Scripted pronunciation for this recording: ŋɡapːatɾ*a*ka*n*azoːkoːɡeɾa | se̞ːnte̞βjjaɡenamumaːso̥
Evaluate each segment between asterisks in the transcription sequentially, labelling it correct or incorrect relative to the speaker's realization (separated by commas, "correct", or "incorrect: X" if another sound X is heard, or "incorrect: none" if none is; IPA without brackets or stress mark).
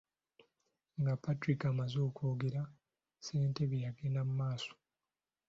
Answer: incorrect: i, incorrect: m